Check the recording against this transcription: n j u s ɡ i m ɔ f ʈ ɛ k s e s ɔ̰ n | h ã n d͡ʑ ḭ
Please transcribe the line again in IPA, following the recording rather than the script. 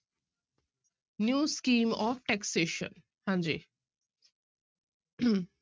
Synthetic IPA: n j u s k i m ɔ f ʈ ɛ k s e ʃ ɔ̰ n | h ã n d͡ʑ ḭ